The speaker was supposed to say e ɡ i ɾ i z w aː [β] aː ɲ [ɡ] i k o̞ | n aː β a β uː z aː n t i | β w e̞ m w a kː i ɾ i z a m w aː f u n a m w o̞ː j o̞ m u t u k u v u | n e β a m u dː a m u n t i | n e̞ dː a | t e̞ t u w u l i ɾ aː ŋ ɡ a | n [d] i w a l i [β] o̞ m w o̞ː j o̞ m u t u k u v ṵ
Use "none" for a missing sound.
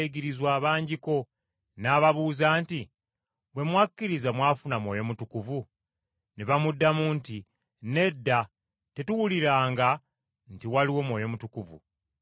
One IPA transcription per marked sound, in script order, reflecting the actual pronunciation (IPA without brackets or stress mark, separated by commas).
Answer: β, ɟ, t, w